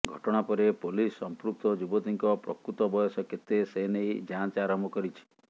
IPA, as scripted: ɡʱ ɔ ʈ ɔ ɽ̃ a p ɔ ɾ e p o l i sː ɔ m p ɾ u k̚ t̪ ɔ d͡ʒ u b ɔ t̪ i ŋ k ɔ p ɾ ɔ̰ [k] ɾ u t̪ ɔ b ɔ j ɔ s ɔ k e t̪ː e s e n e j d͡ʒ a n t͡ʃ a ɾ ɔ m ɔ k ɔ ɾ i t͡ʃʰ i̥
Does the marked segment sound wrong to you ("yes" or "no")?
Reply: no